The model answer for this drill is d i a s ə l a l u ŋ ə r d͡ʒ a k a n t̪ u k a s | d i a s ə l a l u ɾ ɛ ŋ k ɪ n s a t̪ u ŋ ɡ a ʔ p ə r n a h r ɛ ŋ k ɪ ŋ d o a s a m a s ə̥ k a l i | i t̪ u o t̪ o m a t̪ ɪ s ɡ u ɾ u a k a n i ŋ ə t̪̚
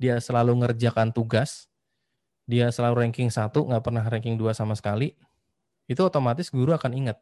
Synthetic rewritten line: d i a s ə l a l u ŋ ə r d͡ʒ a k a n t̪ u ɡ a s | d i a s ə l a l u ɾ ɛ ŋ k ɪ ŋ s a t̪ u ŋ ɡ a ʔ p ə r n a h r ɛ ŋ k ɪ ŋ d u a s a m a s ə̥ k a l i | i t̪ u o t̪ o m a t̪ ɪ s ɡ u ɾ u a k a n i ŋ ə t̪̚